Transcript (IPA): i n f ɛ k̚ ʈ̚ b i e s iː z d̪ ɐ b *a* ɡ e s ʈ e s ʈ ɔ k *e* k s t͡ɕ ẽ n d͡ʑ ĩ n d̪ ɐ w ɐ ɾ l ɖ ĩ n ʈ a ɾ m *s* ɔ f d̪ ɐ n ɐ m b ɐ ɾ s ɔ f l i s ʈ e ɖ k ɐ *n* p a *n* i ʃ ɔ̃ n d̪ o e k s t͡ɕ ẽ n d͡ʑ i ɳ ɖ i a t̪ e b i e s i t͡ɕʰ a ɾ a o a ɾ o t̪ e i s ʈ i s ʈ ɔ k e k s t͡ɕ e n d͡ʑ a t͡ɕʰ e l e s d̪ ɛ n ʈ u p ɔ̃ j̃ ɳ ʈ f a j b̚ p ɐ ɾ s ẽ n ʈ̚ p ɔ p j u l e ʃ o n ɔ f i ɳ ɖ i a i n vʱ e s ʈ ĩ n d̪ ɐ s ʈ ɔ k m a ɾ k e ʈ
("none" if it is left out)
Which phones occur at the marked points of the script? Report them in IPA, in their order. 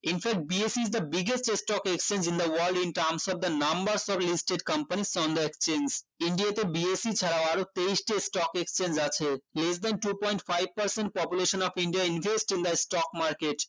i, e, s, m, n

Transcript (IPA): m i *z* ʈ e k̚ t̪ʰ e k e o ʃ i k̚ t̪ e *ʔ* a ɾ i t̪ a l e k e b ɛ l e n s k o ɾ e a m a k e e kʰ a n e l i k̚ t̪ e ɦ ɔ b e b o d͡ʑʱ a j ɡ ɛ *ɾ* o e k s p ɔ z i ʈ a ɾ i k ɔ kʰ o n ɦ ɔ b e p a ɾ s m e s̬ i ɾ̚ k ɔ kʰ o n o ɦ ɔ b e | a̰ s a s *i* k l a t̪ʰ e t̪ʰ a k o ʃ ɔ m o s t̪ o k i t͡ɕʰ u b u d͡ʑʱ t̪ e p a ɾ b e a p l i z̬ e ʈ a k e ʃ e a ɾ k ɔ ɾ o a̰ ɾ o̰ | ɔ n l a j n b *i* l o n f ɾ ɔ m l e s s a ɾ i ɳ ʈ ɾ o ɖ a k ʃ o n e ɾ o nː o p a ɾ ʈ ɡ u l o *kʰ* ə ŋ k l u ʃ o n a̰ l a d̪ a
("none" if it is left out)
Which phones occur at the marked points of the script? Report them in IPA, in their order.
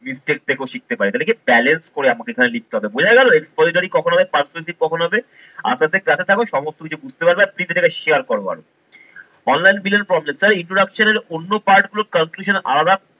s, p, l, e, i, k

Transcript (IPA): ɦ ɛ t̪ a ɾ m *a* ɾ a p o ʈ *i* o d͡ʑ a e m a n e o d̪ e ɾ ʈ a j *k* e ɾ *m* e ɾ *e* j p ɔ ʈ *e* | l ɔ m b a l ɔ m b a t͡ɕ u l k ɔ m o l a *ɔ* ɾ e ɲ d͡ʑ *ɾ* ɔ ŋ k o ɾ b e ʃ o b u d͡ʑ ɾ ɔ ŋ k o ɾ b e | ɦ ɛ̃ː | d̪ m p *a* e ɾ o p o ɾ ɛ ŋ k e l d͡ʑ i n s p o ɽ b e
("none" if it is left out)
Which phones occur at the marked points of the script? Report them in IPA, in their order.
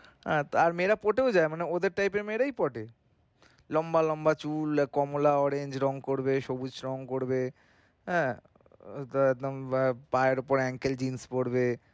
e, e, p, m, a, e, ɔ, ɾ, a

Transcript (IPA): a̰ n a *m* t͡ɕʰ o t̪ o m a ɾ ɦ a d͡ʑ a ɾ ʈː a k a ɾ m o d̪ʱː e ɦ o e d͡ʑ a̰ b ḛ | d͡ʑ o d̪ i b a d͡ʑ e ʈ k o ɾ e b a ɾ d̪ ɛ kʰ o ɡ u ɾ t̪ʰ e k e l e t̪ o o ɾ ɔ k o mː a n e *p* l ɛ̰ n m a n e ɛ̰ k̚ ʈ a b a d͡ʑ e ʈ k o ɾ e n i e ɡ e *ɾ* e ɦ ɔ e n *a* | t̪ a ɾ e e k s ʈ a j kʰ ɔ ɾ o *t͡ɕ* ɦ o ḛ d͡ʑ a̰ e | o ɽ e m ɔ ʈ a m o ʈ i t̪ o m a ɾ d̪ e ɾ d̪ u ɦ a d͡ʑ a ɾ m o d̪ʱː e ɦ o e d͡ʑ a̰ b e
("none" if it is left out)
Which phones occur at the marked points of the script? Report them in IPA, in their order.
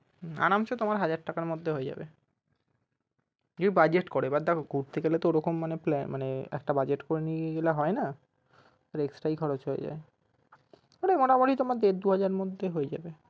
m, p, l, a, t͡ɕ

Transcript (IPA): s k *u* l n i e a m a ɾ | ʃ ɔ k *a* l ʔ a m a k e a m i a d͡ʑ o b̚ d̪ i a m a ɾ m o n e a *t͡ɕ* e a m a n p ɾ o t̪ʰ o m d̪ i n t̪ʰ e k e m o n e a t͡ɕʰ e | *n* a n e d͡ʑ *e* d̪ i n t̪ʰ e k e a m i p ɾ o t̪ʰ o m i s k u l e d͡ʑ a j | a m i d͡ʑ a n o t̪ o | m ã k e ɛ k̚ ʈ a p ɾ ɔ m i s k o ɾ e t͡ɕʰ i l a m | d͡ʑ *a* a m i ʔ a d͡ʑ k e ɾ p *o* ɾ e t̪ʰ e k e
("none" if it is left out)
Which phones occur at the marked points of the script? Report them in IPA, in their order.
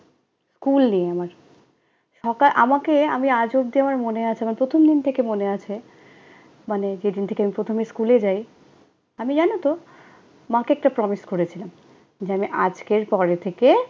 u, a, t͡ɕʰ, m, e, e, ɔ

